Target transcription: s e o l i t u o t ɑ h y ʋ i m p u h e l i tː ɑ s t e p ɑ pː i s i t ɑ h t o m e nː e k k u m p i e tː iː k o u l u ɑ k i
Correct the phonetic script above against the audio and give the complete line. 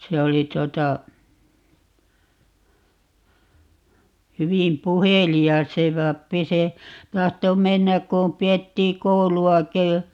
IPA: s e o l i t u o t ɑ h y ʋ i m p u h e l i ɑ s s e p ɑ pː i s e t ɑ h t o m e nː æ k k u m p i e tː iː k o u l u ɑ k i